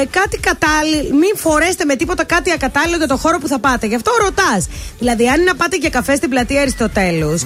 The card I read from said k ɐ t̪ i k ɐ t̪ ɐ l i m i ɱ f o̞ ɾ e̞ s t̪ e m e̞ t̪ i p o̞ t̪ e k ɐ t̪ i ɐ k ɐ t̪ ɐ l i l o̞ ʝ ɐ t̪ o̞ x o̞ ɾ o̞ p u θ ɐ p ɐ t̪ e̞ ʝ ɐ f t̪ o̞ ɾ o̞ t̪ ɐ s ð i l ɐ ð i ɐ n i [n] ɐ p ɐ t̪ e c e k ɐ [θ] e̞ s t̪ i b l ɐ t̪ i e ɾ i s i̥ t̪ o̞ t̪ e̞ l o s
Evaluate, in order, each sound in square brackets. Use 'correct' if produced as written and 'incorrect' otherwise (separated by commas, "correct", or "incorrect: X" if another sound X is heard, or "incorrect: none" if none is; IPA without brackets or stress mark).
correct, incorrect: f